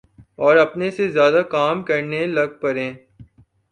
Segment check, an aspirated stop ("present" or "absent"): absent